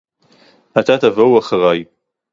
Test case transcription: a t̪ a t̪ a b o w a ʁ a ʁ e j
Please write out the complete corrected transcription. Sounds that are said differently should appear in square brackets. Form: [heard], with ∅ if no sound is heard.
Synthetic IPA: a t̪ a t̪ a [v] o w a [χ] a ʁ [a] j